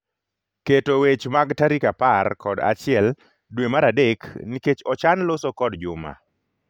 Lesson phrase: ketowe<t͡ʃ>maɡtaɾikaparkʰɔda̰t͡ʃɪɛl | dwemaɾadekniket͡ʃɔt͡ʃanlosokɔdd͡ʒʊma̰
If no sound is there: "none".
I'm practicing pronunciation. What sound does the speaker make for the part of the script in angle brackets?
t͡ʃ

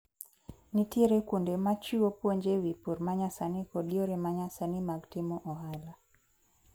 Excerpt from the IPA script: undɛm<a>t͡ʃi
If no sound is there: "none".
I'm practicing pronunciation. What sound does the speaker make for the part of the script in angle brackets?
a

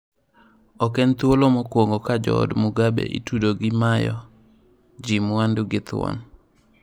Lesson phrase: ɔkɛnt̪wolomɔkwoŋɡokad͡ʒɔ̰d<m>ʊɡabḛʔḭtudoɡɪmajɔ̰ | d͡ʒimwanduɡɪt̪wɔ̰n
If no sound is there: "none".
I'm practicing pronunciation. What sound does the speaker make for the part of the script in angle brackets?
m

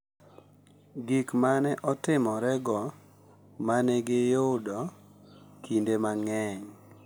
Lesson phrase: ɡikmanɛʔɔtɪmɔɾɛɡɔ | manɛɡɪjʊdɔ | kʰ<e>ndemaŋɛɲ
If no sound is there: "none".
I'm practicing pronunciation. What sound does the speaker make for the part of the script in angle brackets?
i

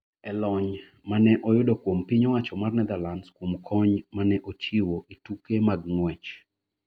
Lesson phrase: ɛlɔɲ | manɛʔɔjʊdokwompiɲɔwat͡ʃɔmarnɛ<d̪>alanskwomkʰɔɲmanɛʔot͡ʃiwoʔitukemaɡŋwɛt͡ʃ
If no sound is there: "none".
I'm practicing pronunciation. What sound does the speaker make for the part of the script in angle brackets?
d̪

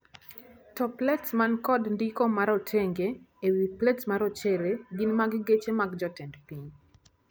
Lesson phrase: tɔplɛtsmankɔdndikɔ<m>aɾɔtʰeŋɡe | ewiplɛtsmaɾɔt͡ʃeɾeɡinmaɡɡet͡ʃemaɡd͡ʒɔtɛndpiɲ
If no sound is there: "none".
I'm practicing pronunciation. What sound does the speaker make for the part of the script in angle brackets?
m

